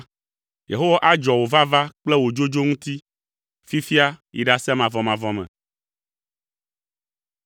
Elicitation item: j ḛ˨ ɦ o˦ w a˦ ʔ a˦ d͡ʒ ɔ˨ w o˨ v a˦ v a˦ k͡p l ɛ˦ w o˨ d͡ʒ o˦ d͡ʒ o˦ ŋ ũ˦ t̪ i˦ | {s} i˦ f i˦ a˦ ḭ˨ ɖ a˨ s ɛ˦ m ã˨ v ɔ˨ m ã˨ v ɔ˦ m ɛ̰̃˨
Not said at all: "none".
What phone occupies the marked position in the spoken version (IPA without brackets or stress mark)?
f